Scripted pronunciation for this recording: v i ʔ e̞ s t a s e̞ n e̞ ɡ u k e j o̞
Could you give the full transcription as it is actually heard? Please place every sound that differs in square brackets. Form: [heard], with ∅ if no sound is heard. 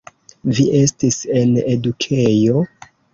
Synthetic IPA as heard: v i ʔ e̞ s t [i] s e̞ n e̞ [d] u [kʰ] e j o̞